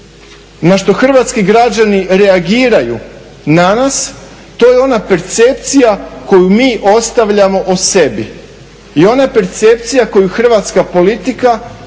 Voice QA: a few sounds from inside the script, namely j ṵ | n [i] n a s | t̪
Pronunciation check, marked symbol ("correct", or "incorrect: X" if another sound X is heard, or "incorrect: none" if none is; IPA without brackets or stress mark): incorrect: a